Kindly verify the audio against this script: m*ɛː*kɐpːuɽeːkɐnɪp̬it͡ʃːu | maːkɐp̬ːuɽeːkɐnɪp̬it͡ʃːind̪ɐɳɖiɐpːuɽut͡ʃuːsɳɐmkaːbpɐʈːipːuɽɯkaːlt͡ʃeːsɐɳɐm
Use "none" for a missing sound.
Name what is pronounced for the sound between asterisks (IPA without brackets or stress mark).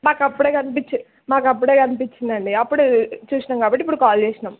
aː